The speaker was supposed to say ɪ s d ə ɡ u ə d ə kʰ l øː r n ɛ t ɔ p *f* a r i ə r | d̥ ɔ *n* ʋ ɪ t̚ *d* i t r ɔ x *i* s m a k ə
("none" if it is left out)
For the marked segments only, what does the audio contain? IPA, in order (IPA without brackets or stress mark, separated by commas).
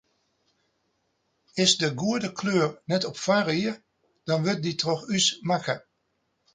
f, n, d, y